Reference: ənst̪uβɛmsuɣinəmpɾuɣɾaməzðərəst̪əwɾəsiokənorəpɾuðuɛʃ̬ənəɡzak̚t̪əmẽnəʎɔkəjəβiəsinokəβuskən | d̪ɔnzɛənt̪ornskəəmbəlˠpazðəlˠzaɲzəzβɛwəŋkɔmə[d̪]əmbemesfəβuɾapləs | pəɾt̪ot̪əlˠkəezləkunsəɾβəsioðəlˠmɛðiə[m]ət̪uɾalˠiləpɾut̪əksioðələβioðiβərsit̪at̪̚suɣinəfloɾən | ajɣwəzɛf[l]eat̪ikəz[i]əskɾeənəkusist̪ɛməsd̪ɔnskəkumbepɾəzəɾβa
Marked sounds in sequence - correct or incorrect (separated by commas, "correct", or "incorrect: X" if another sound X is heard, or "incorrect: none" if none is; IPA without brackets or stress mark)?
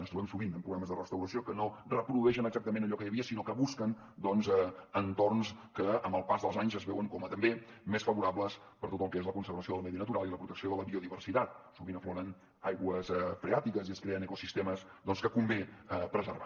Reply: incorrect: t̪, incorrect: n, incorrect: ɾ, correct